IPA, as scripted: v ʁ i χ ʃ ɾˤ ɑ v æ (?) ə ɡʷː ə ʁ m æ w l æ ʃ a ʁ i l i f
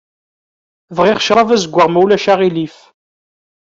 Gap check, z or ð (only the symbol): z